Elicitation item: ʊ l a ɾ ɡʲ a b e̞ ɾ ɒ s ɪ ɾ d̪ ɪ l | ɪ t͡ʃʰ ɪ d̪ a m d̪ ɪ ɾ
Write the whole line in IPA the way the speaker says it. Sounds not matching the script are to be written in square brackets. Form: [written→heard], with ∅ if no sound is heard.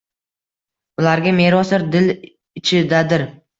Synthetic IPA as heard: ʊ l a ɾ ɡʲ a [b→m] e̞ ɾ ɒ s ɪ ɾ d̪ ɪ l | ɪ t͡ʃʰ ɪ d̪ a [m→∅] d̪ ɪ ɾ